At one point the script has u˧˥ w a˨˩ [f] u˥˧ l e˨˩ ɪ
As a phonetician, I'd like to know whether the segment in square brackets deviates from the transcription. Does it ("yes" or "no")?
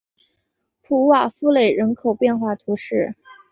no